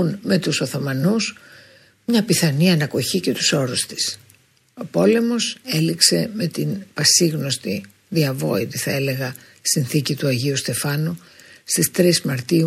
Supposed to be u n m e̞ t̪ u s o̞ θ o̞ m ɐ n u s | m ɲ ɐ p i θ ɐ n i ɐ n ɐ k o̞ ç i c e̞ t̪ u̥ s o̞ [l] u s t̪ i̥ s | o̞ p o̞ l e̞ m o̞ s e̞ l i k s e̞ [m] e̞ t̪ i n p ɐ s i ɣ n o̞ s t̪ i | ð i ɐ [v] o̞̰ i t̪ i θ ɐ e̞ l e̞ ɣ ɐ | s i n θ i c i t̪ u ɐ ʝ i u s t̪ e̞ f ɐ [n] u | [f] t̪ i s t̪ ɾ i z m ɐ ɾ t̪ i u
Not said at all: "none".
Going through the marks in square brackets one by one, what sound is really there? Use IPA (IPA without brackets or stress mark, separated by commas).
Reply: ɾ, m, v, n, s